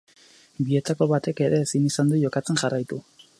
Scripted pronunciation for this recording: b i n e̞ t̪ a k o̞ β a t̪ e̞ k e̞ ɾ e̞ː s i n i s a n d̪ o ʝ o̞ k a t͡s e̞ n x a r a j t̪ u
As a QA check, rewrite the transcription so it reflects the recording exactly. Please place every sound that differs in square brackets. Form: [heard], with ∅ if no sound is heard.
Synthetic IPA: b i [∅] e̞ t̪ a k o̞ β a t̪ e̞ k e̞ ɾ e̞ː s i n i s a n d̪ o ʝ o̞ k a t͡s e̞ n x a r a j t̪ u